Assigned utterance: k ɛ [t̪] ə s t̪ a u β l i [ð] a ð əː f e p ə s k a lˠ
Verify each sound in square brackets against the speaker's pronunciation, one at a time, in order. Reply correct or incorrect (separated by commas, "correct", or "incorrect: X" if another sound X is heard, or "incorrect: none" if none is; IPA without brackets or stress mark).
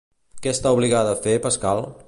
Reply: incorrect: none, incorrect: ɣ